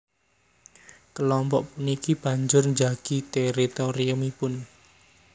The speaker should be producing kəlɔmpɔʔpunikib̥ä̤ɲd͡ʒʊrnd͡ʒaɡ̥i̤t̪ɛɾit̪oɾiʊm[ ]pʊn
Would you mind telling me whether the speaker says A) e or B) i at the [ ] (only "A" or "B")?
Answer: B